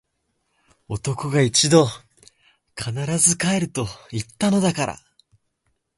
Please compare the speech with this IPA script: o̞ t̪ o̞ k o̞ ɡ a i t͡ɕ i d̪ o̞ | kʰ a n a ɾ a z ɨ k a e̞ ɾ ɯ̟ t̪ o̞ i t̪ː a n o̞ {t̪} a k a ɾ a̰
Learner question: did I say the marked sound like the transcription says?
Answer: no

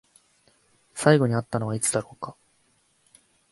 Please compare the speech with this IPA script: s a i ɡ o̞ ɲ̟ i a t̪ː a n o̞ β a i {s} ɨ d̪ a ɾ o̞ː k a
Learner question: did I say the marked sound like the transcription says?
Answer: no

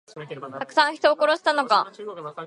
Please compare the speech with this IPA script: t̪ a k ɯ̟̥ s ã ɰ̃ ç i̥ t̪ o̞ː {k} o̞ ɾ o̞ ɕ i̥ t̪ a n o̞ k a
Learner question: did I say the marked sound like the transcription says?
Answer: yes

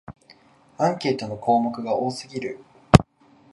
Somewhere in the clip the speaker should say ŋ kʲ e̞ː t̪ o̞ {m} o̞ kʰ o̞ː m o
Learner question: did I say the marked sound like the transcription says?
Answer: no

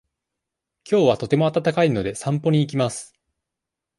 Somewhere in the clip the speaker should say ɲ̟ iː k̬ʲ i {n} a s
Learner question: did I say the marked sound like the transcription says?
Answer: no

